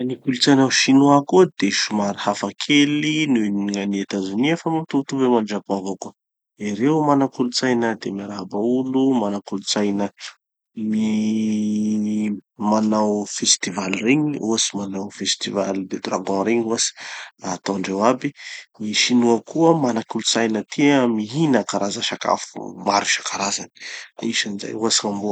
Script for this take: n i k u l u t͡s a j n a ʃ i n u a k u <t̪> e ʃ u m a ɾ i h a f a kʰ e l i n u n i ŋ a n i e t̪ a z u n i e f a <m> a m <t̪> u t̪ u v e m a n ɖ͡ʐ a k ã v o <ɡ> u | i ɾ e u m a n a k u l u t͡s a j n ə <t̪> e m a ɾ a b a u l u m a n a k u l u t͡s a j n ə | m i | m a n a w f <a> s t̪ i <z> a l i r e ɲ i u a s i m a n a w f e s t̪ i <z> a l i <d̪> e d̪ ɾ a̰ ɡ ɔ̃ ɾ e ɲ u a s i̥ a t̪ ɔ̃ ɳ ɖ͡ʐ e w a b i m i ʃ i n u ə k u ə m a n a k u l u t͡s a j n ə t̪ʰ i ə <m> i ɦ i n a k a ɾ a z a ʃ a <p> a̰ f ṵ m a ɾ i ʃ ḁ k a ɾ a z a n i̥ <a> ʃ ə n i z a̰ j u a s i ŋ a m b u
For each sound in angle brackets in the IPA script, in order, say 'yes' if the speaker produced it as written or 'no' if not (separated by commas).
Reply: no, yes, yes, no, no, no, no, no, yes, yes, no, no